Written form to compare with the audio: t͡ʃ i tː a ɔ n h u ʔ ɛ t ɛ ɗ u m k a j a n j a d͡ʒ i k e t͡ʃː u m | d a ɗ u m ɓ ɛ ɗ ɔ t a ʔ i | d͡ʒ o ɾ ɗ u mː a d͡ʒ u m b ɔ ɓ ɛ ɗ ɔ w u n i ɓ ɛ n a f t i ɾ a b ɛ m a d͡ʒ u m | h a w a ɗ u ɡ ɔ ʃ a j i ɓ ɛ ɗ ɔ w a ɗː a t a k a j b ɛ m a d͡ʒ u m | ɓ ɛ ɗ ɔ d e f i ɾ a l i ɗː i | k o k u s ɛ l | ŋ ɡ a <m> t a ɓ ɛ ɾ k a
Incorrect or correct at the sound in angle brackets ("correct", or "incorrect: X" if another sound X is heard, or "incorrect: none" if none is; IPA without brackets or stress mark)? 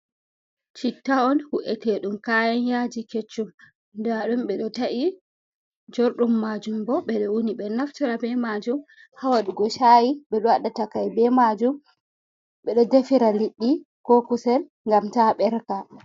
correct